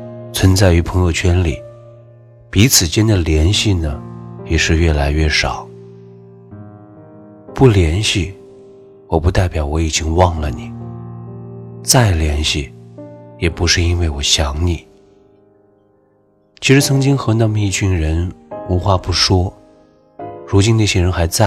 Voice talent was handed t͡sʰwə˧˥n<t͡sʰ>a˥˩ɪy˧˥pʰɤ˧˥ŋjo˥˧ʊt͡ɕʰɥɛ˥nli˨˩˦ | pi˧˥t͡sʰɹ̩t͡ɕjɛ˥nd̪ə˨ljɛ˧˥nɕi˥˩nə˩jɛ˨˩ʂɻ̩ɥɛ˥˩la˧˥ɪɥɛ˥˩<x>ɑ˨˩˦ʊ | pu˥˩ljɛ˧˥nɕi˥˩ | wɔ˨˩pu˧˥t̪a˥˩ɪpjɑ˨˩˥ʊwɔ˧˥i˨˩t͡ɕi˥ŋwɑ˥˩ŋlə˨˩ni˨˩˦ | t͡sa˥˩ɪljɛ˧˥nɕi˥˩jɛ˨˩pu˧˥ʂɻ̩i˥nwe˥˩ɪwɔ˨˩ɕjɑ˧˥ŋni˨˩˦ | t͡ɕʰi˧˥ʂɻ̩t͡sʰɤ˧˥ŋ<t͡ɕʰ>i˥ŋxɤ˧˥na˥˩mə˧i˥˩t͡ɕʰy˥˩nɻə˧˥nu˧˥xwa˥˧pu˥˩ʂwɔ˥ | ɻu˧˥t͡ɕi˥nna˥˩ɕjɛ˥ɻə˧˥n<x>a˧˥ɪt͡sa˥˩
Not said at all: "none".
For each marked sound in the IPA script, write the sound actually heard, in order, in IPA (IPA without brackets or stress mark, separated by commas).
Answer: t͡s, ʂ, t͡ɕ, x